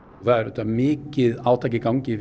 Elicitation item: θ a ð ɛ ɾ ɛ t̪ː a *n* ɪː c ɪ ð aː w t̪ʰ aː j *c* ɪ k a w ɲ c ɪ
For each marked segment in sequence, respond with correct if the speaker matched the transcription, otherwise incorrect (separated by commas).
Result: incorrect, correct